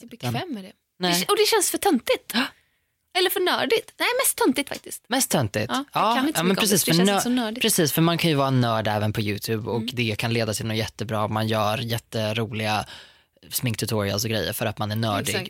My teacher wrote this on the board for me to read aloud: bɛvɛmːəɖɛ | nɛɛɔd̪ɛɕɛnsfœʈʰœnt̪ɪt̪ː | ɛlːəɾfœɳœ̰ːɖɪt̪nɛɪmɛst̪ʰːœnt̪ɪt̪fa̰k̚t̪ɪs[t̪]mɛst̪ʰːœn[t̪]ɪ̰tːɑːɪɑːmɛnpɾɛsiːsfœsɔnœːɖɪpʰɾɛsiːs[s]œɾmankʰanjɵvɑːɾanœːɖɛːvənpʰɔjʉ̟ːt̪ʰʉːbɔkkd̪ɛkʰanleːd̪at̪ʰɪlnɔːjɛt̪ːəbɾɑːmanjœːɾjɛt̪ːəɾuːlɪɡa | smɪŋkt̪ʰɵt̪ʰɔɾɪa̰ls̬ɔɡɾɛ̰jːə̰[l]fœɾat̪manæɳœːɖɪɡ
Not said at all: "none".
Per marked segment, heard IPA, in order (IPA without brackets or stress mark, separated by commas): t̪, t̪, f, ɾ